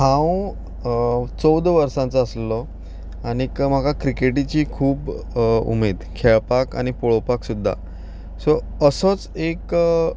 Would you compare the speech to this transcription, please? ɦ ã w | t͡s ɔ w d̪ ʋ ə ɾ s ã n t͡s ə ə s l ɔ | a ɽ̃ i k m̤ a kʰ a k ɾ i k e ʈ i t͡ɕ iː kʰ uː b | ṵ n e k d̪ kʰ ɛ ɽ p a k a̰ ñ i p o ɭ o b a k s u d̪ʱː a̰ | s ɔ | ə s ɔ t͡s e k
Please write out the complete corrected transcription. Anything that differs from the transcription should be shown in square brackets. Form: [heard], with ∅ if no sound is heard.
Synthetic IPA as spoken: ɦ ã w | t͡s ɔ w d̪ ʋ ə ɾ s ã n t͡s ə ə s l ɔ | a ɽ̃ i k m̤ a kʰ a k ɾ i k e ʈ i t͡ɕ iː kʰ uː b | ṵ [m] e [∅] d̪ kʰ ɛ [ɭ] p a k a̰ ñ i p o ɭ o [p] a k s u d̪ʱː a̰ | s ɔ | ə s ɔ t͡s e k